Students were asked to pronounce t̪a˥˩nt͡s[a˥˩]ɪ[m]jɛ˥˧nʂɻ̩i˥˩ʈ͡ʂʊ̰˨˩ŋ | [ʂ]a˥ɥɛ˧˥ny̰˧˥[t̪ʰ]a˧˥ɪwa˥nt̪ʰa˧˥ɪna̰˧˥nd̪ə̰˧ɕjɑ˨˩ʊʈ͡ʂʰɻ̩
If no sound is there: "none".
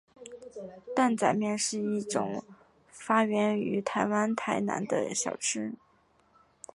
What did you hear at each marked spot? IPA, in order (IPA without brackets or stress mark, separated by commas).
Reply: a˨˩, m, f, t̪ʰ